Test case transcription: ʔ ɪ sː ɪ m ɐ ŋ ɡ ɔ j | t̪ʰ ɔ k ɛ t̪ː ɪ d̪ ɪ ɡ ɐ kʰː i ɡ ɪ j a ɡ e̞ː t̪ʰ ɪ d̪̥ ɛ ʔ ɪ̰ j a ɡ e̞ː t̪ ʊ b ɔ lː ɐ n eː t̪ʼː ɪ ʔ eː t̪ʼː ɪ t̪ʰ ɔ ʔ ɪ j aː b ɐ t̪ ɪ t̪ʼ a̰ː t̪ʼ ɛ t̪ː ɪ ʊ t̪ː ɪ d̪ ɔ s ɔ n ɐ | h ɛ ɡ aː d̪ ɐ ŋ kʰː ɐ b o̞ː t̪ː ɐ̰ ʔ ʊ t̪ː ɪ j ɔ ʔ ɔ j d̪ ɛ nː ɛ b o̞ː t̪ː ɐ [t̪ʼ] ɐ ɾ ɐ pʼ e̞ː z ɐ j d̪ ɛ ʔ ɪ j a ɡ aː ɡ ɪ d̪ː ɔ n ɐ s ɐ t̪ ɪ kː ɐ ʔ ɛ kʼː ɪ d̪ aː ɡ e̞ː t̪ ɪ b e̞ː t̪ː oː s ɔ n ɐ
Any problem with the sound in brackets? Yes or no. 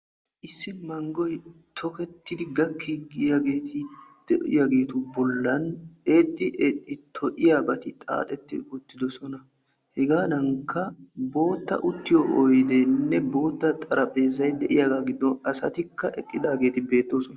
no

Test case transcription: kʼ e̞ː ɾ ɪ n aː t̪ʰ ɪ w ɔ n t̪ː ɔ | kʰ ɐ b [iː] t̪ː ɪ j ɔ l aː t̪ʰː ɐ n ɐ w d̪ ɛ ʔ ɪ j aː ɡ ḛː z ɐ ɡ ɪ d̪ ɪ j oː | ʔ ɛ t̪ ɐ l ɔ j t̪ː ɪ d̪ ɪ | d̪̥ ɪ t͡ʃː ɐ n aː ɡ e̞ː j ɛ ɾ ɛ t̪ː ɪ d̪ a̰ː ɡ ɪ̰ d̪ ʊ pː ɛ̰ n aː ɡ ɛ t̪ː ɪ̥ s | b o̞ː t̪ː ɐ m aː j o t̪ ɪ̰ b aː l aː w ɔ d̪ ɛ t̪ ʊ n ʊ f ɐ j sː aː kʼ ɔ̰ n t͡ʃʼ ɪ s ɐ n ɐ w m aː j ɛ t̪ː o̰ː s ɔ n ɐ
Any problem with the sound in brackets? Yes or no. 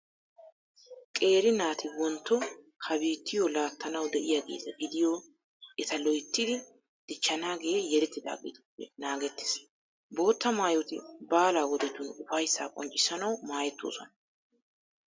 no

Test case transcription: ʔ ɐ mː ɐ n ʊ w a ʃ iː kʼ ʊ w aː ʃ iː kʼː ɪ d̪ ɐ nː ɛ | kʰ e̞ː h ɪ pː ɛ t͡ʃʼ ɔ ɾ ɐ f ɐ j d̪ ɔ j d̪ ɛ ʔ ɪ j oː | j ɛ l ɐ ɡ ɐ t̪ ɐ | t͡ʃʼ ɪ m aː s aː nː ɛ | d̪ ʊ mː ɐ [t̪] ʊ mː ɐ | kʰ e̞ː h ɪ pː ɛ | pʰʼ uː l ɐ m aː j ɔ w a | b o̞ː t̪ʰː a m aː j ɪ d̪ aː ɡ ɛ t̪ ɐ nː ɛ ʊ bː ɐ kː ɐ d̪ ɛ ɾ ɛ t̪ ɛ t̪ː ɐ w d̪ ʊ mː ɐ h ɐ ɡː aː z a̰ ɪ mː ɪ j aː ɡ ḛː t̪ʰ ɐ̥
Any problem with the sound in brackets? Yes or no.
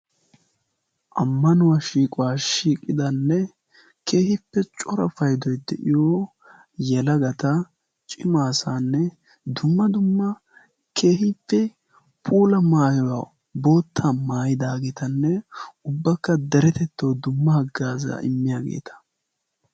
yes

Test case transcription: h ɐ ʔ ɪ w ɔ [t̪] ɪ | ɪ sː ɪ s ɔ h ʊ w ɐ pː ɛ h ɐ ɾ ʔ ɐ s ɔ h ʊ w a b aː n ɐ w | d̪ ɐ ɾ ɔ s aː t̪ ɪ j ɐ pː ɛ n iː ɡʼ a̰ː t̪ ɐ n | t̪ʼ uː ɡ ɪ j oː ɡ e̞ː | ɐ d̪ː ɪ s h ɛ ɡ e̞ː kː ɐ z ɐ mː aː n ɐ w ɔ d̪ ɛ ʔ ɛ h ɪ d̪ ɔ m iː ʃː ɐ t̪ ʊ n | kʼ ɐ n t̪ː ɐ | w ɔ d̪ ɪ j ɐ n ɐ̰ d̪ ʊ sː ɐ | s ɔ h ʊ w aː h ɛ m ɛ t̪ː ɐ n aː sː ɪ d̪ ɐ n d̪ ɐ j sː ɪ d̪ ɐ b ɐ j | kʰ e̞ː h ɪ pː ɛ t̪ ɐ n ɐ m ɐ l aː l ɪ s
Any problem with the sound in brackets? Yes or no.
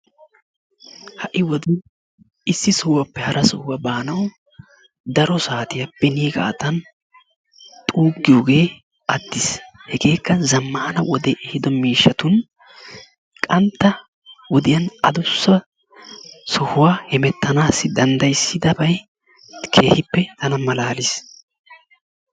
yes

